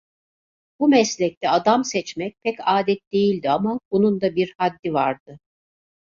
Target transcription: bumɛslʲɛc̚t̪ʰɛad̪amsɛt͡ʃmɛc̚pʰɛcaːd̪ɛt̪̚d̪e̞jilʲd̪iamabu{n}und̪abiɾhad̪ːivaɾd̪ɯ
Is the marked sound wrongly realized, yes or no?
no